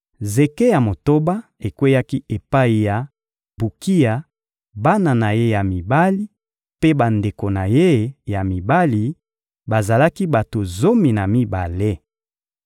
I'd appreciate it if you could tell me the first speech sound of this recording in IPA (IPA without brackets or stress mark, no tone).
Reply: z